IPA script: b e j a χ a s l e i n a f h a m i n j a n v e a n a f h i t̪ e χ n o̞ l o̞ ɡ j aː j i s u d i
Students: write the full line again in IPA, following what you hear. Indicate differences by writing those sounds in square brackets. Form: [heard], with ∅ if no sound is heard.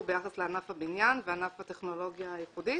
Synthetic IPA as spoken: b e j a χ a s l e [a] n a f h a [b] i n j a n v e a n a f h [a] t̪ e χ n o̞ l o̞ ɡ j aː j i [χ] u d i